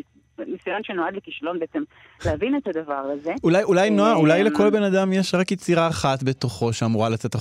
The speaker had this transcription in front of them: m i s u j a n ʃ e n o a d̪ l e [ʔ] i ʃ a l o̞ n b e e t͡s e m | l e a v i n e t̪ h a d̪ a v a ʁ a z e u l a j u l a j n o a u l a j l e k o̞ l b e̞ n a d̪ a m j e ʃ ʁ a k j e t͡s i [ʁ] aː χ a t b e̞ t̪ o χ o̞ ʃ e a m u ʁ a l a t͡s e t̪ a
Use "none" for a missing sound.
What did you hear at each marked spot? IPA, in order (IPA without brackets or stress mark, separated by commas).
k, ʁ